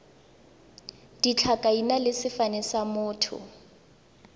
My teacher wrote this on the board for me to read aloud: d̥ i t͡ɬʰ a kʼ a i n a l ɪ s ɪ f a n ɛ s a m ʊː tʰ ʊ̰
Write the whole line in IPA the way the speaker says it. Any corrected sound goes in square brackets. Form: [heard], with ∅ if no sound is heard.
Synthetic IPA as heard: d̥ i t͡ɬʰ a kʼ a i n a l ɪ s ɪ f a n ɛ s a m ʊː tʰ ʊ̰

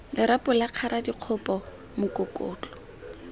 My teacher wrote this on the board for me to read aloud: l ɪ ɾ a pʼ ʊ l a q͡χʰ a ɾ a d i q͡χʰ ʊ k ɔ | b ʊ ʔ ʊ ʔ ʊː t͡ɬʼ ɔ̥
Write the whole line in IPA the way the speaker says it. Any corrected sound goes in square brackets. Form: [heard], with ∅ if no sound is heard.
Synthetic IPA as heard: l ɪ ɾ a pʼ ʊ l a q͡χʰ a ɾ a d i q͡χʰ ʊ [p] ɔ | [m] ʊ [k] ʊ [k] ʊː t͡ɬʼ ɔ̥

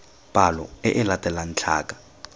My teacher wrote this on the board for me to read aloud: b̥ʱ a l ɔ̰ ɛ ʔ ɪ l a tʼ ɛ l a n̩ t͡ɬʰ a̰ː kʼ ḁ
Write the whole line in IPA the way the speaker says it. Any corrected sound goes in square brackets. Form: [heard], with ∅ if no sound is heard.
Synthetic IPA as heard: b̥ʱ a l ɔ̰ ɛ ʔ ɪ l a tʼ ɛ l a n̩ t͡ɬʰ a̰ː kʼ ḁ

